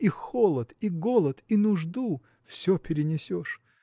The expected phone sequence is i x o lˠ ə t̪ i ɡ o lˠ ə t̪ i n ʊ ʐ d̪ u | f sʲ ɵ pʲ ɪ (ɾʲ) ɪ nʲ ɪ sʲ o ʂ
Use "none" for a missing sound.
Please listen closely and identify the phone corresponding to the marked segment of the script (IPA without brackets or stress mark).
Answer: ɾʲ